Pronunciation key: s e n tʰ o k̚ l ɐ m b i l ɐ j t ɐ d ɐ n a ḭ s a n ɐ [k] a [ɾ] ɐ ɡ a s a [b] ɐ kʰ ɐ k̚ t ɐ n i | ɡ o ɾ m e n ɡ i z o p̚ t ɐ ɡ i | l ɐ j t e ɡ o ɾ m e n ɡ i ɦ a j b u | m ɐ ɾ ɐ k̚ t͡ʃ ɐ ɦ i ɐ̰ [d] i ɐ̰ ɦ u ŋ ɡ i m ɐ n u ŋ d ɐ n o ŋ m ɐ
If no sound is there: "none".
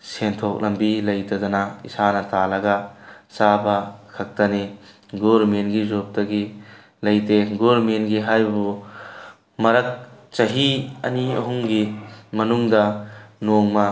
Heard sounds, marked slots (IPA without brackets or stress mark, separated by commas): t, l, b, n